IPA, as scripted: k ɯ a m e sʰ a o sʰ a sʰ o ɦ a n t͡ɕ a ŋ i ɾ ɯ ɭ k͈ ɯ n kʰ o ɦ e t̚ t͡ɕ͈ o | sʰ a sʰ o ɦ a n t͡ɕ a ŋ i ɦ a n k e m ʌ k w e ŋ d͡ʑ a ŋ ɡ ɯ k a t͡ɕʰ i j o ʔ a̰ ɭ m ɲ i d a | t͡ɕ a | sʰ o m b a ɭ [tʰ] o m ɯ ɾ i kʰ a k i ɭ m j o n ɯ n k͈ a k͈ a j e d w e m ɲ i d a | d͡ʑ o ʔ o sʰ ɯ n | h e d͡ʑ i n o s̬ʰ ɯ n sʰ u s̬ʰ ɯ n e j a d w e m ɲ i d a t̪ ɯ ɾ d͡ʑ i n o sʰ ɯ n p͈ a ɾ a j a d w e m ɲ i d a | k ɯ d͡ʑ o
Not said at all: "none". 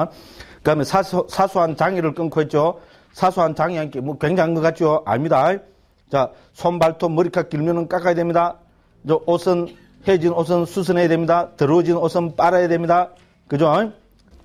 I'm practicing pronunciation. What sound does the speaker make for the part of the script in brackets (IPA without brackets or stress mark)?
tʰ